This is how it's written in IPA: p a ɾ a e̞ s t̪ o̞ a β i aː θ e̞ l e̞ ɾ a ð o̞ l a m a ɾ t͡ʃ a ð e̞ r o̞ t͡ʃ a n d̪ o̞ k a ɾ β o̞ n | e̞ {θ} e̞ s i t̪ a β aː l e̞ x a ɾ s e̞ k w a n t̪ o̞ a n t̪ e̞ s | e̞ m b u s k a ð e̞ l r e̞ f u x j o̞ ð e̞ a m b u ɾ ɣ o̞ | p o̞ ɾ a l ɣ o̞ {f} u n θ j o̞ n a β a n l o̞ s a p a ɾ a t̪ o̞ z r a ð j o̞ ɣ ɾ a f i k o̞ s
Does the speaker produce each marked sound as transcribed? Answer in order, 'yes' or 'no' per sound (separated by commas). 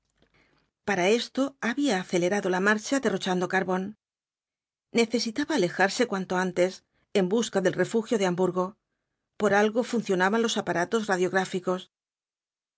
yes, yes